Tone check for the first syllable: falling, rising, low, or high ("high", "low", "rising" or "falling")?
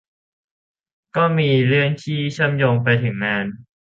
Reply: falling